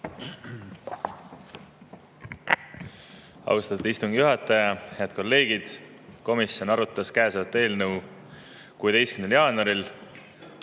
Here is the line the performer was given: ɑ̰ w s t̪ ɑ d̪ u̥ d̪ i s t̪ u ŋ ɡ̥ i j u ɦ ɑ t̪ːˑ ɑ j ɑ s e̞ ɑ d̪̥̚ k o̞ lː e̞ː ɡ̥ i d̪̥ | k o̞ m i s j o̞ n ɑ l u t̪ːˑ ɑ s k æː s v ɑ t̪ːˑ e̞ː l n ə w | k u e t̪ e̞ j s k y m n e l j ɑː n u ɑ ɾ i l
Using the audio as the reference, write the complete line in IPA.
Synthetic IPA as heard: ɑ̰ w s t̪ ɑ t̪ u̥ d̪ i s t̪ u ŋ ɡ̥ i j u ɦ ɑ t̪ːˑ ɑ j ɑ h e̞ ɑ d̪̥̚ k o̞ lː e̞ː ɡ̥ i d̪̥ | k o̞ m i s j o̞ n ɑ ɾ u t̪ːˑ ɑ s k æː s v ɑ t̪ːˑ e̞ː l n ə w | k u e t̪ e̞ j s k y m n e l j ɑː n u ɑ ɾ i l

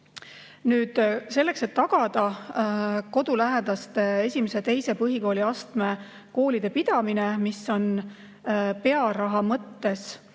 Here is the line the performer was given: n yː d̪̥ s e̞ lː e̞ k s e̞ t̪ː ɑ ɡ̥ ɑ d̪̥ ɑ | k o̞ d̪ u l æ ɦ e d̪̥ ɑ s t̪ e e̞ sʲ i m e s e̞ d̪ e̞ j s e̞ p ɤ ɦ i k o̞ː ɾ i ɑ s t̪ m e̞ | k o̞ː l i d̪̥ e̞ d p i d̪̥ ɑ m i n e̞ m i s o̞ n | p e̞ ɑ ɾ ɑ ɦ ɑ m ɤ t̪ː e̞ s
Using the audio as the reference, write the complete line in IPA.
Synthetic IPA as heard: n yː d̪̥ s e̞ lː e̞ k s e̞ t̪ː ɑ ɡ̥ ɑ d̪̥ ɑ | k o̞ d̪ u l æ ɦ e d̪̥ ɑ s t̪ e e̞ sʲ i m e s e̞ t̪ e̞ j s e̞ p ɤ ɦ i k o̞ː l i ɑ s t̪ m e̞ | k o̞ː l i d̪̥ e̞ d p i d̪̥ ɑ m i n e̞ m i s o̞ n | p e̞ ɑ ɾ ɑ ɦ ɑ m ɤ t̪ː e̞ s

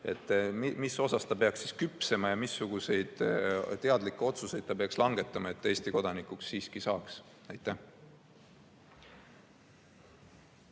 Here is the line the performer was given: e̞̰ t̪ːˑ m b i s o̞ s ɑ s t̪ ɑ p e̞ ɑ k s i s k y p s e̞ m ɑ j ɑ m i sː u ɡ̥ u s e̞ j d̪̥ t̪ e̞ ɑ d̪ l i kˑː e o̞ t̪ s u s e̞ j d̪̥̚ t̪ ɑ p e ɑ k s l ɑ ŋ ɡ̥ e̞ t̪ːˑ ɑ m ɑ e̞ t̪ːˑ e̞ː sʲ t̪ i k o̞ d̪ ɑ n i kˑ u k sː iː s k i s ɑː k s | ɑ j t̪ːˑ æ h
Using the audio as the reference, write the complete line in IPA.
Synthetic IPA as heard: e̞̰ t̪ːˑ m m i s o̞ s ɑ s t̪ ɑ p e̞ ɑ k s i s k y p s e̞ m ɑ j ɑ m i sː u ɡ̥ u s e̞ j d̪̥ t̪ e̞ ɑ d̪ l i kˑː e o̞ t̪ s u s e̞ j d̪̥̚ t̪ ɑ p e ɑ k s l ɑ ŋ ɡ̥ e̞ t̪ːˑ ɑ m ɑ e̞ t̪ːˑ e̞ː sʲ t̪ i k o̞ d̪ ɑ n i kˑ u k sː iː s k i s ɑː k s | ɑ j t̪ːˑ æ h

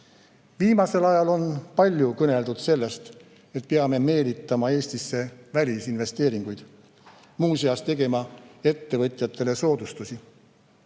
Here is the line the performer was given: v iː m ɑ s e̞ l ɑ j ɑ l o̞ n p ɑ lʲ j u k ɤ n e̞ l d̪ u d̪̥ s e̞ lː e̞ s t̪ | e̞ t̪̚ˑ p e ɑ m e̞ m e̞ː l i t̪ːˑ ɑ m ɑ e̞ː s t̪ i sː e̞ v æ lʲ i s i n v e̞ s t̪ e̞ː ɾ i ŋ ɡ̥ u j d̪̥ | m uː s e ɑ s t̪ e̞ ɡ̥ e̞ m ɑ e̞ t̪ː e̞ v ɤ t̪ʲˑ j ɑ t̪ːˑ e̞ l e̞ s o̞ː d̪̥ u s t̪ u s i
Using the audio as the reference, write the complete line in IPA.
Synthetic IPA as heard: v iː m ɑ s e̞ l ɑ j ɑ l o̞ n p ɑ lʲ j u k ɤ n e̞ l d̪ u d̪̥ s e̞ lː e̞ s t̪ | e̞ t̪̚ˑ p e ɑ m e̞ m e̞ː l i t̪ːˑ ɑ m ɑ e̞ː s t̪ i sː e̞ v æ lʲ i s i n v e̞ s t̪ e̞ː ɾ i ŋ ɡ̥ u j d̪̥ | m uː s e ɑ s t̪ e̞ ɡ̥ e̞ m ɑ e̞ t̪ː e̞ v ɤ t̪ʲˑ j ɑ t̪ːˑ e̞ l e̞ s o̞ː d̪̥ u s t̪ u s i

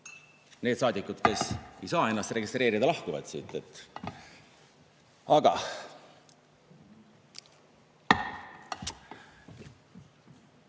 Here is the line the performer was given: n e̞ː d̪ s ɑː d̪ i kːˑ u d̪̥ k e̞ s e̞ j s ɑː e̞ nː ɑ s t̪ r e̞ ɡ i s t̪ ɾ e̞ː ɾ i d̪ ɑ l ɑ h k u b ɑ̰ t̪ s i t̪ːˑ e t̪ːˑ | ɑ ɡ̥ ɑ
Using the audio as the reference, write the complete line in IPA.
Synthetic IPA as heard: n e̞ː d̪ s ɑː d̪ i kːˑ u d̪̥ k e̞ s e̞ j s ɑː e̞ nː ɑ s t̪ r e̞ ɡ i s t̪ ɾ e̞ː ɾ i d̪ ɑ l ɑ h k u v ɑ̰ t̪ s i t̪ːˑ e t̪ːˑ | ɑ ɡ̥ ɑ

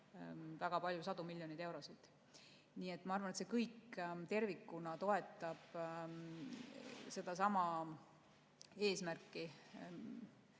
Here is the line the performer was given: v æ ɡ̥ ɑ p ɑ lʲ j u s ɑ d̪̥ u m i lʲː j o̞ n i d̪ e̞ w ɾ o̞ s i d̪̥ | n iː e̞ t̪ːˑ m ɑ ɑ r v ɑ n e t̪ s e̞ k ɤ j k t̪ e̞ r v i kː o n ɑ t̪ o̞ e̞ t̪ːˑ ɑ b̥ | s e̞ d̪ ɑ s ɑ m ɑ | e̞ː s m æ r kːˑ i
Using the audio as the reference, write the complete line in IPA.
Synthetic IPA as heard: v æ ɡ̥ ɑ p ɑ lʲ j u s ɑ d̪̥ u m i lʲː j o̞ n i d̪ e̞ w ɾ o̞ s i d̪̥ | n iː e̞ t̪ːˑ m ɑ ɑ r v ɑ n e t̪ s e̞ k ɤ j k t̪ e̞ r v i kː u n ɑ t̪ o̞ e̞ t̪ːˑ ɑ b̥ | s e̞ d̪ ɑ s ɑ m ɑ | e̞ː s m æ r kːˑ i

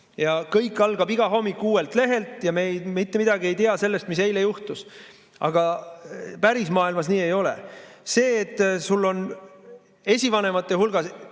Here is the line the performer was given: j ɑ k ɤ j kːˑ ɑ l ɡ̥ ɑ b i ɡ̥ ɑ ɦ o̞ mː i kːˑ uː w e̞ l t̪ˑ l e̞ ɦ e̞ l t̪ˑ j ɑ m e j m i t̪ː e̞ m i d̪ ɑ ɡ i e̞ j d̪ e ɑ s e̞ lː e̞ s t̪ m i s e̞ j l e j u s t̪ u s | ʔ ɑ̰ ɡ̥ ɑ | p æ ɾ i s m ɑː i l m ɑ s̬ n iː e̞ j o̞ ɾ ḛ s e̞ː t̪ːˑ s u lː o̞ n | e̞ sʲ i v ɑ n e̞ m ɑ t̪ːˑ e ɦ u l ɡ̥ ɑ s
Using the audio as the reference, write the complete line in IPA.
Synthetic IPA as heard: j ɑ k ɤ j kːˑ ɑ l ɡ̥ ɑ b i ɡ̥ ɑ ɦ o̞ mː i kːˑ uː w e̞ l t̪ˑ l e̞ ɦ e̞ l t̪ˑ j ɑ m e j m i t̪ː e̞ m i d̪ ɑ ɡ i e̞ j t̪ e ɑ s e̞ lː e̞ s t̪ m i s e̞ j l e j u h t̪ u s | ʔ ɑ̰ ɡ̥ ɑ | p æ ɾ i s m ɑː i l m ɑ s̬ n iː e̞ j o̞ l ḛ s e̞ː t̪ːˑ s u lː o̞ n | e̞ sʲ i v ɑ n e̞ m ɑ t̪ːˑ e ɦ u l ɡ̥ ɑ s

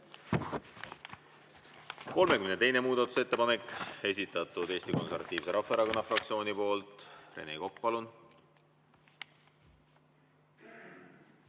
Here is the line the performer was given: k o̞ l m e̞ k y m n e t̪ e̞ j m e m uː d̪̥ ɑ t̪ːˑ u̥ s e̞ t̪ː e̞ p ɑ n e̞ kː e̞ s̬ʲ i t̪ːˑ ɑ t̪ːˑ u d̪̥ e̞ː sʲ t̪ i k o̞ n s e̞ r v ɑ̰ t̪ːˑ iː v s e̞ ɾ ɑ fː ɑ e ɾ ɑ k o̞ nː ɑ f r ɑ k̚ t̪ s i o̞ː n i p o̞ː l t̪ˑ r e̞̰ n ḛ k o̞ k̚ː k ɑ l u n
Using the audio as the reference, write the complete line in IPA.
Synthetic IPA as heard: k o̞ l m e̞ k y m n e t̪ e̞ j n e m uː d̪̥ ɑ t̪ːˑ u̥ s e̞ t̪ː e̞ p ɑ n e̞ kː e̞ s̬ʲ i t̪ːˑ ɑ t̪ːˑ u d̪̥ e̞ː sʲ t̪ i k o̞ n s e̞ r v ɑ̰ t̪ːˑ iː v s e̞ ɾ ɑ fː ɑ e ɾ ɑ k o̞ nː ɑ f r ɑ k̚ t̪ s i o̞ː n i p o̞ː l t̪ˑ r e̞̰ n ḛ k o̞ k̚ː p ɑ l u n

